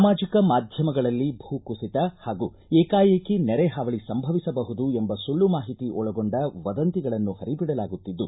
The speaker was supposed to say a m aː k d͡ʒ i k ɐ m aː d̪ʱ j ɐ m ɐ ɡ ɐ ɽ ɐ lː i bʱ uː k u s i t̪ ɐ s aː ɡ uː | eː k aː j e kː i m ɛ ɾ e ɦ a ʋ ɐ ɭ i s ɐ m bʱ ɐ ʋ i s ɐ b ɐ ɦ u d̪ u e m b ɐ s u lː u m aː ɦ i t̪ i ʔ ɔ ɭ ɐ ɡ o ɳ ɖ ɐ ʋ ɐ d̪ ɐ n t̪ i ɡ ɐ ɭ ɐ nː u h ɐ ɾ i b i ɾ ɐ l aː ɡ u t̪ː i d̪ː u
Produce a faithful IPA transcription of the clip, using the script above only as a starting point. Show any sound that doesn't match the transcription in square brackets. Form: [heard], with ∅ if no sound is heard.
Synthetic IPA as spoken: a m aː [∅] d͡ʒ i k ɐ m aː d̪ʱ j ɐ m ɐ ɡ ɐ [ɭ] ɐ lː i bʱ uː k u s i t̪ ɐ [h] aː ɡ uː | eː k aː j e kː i [n] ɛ ɾ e ɦ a ʋ ɐ ɭ i s ɐ m bʱ ɐ ʋ i s ɐ b ɐ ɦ u d̪ u e m b ɐ s u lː u m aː ɦ i t̪ i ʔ ɔ ɭ ɐ ɡ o ɳ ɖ ɐ ʋ ɐ d̪ ɐ n t̪ i ɡ ɐ ɭ ɐ nː u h ɐ ɾ i b i [ɽ] ɐ l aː ɡ u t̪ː i d̪ː u